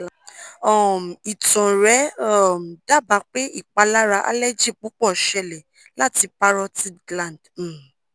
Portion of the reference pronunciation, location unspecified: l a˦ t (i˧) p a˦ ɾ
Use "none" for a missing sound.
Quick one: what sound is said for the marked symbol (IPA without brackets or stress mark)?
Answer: i˧